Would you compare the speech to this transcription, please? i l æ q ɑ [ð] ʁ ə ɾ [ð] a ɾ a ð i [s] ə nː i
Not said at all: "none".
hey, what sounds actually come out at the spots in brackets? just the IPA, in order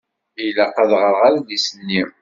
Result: ð, ʁ, s

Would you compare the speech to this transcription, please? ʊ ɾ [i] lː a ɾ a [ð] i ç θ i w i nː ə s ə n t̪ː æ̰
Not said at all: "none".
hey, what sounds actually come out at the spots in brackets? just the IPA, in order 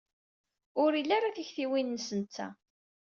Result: i, θ

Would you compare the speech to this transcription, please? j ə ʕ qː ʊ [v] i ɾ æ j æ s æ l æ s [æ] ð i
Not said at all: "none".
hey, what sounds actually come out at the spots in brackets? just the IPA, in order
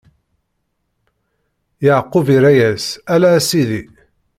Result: v, i

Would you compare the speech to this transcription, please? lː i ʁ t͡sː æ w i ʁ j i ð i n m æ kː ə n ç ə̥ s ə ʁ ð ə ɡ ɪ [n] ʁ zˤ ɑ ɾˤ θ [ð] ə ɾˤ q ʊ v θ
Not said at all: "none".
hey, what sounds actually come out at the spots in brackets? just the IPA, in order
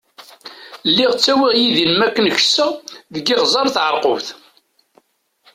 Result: none, ʕ

